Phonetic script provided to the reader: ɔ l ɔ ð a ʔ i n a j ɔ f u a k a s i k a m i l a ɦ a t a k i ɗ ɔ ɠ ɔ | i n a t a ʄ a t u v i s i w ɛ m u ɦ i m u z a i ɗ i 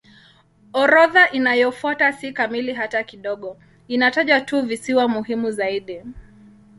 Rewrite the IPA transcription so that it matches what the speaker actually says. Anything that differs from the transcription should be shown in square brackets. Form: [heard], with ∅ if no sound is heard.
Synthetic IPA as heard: ɔ [ɾ] ɔ ð a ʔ i n a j ɔ f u a [t] a s i k a m i l [i] ɦ a t a k i ɗ ɔ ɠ ɔ | i n a t a ʄ a t u v i s i w [a] m u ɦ i m u z a i ɗ i